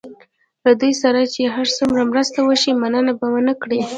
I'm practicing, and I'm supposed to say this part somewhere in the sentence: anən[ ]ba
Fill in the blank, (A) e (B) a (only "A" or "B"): B